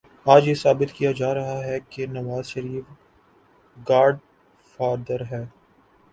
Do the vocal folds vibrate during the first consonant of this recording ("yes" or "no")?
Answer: yes